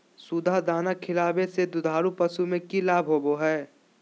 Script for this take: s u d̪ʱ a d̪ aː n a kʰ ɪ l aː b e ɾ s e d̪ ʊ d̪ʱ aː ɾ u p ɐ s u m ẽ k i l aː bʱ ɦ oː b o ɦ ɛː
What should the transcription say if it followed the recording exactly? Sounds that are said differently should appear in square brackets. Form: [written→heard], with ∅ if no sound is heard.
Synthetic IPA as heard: s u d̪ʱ a d̪ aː n a kʰ ɪ l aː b e [ɾ→∅] s e d̪ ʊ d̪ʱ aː ɾ u p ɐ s u m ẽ k i l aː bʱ ɦ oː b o ɦ ɛː